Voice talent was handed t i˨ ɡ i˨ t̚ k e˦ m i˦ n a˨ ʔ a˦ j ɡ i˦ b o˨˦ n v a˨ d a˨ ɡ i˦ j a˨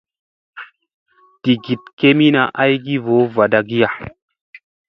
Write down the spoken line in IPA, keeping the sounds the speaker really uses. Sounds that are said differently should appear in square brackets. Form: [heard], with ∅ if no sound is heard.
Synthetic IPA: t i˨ ɡ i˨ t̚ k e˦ m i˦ n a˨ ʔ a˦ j ɡ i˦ [v] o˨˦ [∅] v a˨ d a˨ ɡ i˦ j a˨